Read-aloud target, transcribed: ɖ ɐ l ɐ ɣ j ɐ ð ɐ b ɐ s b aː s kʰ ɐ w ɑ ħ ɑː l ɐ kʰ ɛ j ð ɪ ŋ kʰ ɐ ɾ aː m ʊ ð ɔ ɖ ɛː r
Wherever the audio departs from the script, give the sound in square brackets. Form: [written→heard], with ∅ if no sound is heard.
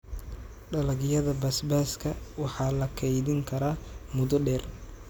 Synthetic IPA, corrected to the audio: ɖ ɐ l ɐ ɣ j ɐ ð ɐ b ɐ s b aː s kʰ ɐ w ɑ ħ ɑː l ɐ kʰ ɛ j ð ɪ ŋ kʰ ɐ ɾ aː m ʊ ð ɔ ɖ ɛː r